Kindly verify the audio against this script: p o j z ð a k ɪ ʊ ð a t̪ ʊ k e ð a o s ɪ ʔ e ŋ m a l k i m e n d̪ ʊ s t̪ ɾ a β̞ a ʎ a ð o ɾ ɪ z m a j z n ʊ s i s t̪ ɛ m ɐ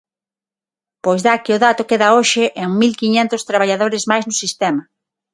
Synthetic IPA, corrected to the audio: p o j z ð a k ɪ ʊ ð a t̪ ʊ k e ð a o ʃ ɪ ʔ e ŋ m i l k i ɲ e n t̪ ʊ s t̪ ɾ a β̞ a ʎ a ð o ɾ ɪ z m a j z n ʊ s i s t̪ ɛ m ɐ